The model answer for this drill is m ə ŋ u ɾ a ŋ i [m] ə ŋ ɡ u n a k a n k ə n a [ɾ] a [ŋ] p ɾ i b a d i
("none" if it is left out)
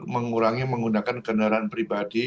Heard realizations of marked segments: m, ɾ, n

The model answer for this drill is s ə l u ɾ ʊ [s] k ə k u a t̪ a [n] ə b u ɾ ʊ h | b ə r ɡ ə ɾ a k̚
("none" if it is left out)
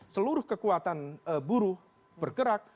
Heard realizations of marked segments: h, n

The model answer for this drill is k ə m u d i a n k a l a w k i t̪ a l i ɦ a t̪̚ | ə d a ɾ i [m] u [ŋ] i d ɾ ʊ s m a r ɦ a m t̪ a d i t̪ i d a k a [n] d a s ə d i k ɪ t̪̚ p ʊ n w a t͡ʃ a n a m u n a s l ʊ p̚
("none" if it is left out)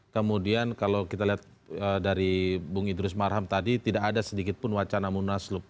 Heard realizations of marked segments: b, ŋ, none

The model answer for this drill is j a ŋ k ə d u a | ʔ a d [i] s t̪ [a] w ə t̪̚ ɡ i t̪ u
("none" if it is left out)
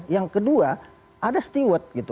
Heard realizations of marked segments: a, i

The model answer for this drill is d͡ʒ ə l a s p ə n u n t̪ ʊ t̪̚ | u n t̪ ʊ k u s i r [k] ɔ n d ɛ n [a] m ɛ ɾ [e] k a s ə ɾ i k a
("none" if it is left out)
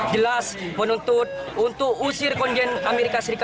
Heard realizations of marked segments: k, a, i

